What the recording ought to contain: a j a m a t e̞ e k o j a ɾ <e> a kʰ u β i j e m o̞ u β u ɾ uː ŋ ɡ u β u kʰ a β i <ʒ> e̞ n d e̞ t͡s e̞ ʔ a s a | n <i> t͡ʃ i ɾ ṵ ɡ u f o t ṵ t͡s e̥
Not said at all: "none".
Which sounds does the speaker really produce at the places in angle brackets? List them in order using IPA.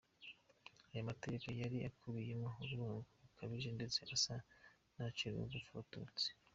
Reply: i, ʒ, a

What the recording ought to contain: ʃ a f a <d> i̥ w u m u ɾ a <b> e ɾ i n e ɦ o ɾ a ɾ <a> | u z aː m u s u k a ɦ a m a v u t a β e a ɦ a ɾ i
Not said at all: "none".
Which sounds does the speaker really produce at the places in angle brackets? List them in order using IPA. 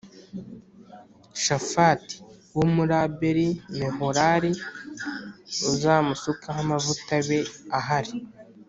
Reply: t, b, i

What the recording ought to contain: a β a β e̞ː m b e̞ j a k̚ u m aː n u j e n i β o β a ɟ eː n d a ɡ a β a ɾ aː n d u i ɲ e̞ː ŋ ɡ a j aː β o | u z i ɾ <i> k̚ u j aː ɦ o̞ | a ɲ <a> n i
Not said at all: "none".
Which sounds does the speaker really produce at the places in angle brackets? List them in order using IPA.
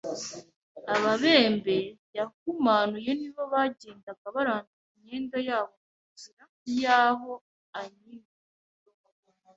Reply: a, i

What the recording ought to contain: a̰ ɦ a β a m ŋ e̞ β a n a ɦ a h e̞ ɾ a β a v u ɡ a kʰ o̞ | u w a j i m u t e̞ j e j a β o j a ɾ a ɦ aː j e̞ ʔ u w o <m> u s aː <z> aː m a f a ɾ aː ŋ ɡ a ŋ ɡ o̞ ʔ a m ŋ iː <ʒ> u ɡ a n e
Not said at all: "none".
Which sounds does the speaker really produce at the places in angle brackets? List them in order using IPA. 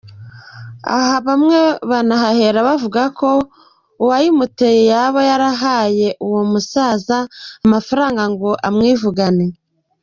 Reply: m, z, v

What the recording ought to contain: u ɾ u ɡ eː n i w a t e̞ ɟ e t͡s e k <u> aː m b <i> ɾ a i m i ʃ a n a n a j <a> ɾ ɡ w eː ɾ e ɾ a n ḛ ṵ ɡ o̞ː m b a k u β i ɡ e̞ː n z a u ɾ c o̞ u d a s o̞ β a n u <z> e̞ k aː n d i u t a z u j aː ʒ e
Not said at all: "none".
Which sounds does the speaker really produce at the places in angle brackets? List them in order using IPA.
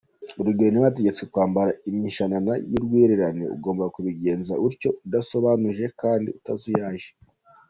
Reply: w, a, i, ʒ

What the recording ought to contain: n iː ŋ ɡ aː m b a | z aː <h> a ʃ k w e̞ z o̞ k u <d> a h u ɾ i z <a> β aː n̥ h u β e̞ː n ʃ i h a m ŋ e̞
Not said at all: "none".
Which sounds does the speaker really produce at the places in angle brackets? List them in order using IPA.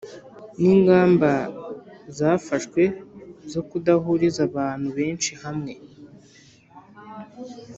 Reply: f, d, a

